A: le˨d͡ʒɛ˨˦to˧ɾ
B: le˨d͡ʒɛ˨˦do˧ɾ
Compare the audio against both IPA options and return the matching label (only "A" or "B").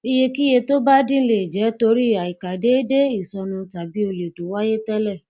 A